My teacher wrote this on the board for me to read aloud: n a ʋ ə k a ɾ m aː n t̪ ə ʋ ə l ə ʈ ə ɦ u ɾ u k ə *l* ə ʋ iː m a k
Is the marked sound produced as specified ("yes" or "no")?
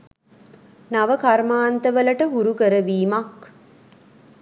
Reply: no